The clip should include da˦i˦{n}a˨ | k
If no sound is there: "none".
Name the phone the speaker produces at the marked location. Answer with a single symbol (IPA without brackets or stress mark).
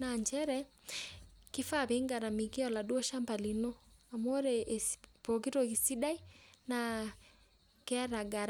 n